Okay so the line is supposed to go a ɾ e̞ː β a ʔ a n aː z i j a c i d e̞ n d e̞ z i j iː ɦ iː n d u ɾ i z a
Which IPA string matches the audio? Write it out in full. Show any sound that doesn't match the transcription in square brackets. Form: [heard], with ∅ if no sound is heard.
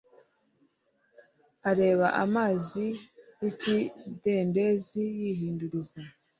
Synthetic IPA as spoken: a ɾ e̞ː β a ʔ a [m] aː z i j [i] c i d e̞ n d e̞ z i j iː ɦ iː n d u ɾ i z a